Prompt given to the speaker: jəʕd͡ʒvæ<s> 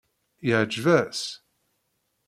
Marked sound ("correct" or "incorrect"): correct